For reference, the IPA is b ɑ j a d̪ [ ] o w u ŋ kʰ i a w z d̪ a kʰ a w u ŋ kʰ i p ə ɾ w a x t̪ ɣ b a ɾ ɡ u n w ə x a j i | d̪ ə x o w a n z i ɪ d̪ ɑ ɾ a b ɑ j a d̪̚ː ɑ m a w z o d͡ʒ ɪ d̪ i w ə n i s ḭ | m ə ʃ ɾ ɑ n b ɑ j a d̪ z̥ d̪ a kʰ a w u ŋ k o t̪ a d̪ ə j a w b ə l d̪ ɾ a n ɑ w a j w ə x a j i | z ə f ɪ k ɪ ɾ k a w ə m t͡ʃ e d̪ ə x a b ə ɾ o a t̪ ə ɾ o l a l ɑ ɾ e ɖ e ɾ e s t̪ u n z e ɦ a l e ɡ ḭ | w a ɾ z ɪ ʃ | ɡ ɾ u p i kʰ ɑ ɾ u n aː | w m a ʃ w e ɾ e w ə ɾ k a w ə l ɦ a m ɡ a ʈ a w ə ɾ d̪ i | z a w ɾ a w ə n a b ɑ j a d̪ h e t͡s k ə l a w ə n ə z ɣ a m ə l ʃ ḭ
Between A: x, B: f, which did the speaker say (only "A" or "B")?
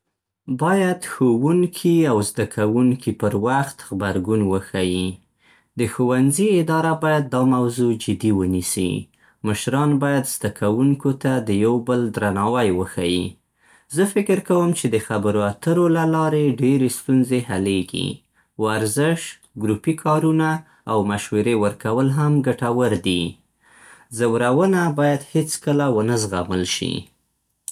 A